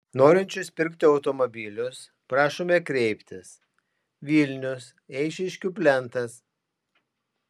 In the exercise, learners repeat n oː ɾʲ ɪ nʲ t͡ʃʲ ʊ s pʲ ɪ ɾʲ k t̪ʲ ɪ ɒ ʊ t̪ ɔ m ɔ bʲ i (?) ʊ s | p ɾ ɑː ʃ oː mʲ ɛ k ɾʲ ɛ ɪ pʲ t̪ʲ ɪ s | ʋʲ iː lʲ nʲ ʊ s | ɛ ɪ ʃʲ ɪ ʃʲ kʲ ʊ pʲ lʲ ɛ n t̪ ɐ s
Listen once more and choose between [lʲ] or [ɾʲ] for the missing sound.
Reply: lʲ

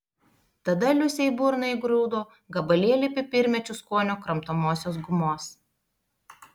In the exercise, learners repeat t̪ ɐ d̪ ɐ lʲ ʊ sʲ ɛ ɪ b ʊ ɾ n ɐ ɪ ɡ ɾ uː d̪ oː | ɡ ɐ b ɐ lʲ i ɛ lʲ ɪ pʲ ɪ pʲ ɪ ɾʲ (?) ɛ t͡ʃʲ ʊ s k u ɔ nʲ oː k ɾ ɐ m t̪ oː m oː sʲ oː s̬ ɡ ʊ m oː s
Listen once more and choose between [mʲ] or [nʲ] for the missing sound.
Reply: mʲ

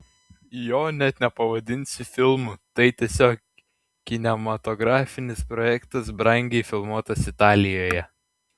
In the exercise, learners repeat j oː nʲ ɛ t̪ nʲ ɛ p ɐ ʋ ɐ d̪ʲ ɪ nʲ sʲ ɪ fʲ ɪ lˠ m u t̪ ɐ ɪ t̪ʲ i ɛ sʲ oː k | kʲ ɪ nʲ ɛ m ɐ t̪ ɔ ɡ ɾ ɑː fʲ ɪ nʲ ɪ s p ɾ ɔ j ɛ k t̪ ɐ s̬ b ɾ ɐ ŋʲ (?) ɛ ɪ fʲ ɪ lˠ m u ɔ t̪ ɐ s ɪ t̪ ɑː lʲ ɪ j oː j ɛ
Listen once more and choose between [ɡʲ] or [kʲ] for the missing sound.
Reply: ɡʲ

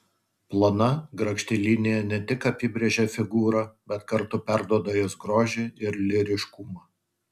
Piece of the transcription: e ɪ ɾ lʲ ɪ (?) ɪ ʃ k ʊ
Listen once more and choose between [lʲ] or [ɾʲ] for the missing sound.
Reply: ɾʲ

